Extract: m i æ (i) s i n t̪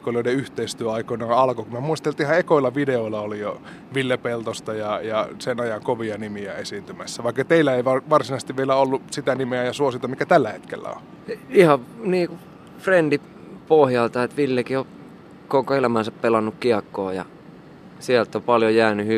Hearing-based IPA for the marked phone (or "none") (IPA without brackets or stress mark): e